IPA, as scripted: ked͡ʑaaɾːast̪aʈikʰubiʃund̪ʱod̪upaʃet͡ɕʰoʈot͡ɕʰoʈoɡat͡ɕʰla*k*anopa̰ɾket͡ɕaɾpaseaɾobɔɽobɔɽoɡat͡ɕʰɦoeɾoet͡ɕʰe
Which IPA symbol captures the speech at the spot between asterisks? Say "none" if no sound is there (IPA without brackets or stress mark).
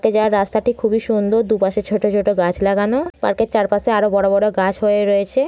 ɡ